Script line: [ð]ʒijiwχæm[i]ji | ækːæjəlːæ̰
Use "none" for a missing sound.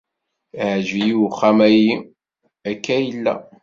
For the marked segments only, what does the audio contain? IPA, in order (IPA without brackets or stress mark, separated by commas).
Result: ʕ, æ